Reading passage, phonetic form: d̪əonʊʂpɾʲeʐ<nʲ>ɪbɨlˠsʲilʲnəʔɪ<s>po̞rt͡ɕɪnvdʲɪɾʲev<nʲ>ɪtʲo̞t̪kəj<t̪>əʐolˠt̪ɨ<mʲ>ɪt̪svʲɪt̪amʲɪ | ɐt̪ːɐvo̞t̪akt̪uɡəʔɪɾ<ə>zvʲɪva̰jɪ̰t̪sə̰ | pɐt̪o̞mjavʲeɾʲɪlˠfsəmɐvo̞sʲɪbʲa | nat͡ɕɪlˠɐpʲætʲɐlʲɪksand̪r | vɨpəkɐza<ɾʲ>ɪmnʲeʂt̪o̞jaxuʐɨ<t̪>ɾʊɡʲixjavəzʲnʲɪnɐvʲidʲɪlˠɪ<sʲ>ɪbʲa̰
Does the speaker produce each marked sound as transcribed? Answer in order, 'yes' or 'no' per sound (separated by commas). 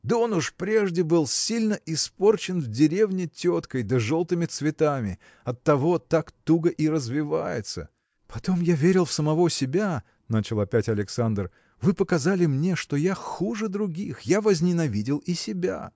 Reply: no, yes, yes, no, yes, yes, no, no, yes